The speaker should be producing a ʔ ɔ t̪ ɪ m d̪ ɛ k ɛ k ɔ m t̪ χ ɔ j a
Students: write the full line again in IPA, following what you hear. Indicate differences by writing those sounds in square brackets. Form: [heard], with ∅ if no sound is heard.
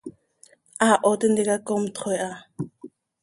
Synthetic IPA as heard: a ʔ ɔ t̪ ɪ [n] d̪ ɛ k [a] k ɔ m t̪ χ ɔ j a